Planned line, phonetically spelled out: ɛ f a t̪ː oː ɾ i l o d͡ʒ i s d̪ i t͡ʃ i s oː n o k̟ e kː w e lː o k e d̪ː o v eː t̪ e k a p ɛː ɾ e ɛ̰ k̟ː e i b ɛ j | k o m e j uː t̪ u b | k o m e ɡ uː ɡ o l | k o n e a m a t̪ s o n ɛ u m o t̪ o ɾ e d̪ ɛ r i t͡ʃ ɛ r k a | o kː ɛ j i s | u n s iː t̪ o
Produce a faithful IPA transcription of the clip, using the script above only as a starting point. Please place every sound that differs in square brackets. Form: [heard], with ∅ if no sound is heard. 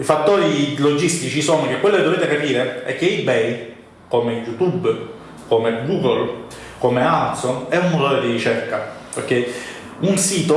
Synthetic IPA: [i] f a t̪ː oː ɾ i l o d͡ʒ i s [t̪] i t͡ʃ i s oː n o k̟ e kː w e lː o k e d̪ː o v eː t̪ e k a p [iː] ɾ e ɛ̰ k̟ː e i b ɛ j | k o m e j [u] t̪ u b | k o m e ɡ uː ɡ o l | k o [m] e a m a t̪ s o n ɛ u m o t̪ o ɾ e d̪ [i] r i t͡ʃ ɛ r k a | o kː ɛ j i [∅] | u n s iː t̪ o